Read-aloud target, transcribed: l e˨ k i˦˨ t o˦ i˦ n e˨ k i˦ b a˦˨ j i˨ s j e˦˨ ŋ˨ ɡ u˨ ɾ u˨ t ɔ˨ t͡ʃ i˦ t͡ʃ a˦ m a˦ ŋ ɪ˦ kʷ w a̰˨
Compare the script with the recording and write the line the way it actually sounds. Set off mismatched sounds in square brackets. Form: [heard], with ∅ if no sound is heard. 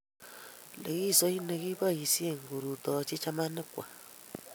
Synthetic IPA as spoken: l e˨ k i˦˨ [s] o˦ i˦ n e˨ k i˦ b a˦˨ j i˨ s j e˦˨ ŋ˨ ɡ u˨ ɾ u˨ t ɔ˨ t͡ʃ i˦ t͡ʃ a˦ m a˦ [n] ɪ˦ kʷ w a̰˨

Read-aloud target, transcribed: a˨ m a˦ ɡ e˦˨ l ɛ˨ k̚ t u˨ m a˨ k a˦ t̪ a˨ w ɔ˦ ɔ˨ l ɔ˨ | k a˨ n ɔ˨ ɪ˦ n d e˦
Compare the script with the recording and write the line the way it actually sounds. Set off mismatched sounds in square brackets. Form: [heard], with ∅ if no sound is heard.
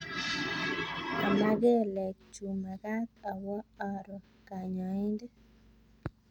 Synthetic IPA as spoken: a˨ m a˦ ɡ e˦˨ l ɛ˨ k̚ [t͡ʃ] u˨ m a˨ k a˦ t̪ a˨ w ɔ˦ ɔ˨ [ɾ] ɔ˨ | k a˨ [ɲ] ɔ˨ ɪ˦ n d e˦

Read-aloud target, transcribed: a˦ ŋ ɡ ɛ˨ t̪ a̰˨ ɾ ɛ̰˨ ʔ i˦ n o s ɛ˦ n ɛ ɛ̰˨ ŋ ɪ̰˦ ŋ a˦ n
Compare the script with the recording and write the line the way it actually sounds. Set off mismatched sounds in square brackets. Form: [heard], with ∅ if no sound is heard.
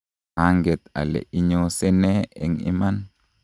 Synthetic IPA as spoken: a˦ ŋ ɡ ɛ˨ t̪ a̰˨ [l] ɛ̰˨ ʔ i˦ [ɲ] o s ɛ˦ n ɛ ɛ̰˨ ŋ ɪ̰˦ [m] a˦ n

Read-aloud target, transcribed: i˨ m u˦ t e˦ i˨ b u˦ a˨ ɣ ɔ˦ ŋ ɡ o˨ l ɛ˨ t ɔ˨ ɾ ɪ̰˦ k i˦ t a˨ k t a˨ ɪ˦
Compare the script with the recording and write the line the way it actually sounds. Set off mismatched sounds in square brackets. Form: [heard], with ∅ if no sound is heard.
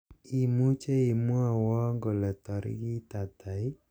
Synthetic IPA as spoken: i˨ m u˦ [t͡ʃ] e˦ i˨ [m] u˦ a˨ [w] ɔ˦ ŋ ɡ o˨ l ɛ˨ t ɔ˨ ɾ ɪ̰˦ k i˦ t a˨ [∅] t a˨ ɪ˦

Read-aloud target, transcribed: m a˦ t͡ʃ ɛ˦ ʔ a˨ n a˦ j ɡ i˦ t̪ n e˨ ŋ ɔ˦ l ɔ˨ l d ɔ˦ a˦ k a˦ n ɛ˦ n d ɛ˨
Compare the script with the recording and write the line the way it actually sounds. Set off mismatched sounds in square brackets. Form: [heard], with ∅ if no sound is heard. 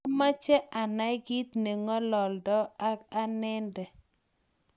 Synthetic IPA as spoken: m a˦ t͡ʃ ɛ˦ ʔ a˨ n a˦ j ɡ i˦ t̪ n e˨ ŋ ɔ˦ l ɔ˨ l d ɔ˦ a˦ k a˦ n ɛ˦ n d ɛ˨

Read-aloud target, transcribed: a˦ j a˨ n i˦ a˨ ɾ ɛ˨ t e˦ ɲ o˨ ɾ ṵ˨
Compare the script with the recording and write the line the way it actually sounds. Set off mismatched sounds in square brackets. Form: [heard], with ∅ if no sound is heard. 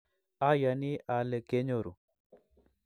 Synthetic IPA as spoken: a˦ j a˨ n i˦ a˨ [l] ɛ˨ [k] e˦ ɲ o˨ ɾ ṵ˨

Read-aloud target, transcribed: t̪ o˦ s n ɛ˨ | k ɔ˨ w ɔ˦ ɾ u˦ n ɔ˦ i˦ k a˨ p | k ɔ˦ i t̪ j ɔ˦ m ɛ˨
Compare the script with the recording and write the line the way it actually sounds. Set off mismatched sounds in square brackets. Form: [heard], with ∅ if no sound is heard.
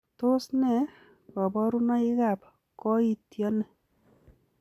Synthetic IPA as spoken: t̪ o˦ s n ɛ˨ | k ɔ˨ [b] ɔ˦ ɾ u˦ n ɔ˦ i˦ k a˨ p | k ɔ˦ i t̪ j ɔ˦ [n] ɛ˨

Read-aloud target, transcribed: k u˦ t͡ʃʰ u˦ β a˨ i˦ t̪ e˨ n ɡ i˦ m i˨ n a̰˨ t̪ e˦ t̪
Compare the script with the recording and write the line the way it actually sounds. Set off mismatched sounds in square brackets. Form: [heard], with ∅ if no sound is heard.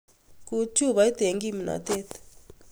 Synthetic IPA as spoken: k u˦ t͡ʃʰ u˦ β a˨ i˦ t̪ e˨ [ŋ] ɡ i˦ m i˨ n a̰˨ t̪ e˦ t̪

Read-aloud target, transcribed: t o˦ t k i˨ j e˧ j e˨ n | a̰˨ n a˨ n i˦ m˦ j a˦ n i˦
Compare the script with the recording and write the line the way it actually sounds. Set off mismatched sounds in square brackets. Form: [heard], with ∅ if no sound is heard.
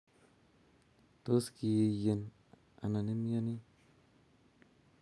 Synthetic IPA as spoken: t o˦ [s] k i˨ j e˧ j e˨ n | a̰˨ n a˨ n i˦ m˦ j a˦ n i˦

